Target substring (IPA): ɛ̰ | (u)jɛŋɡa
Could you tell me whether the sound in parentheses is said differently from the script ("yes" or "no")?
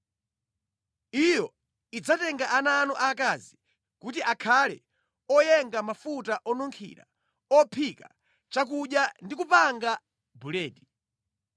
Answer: yes